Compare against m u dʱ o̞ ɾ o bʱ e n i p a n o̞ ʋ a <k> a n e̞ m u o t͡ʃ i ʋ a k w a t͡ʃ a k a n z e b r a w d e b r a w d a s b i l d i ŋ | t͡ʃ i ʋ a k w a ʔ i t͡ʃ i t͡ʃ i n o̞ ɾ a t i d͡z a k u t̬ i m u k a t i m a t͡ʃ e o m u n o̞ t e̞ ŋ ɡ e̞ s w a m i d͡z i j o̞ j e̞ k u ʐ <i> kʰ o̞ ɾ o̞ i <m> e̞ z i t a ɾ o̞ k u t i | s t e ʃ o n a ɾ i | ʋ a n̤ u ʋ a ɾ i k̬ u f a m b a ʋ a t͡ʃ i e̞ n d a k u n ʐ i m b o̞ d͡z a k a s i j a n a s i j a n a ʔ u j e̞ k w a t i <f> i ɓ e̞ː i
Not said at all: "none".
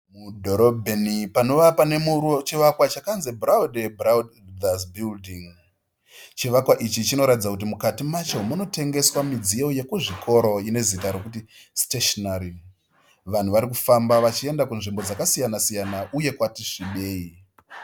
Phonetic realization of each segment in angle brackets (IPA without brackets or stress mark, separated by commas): p, i, n, ʂ